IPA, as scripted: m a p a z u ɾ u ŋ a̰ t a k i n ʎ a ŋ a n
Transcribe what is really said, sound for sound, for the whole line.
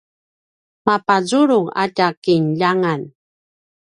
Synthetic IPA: m a p a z u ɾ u ŋ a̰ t a k i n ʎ a ŋ a n